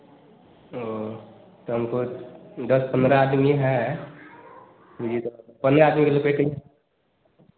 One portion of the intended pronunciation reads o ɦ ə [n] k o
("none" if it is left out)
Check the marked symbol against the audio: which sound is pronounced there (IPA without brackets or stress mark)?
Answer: m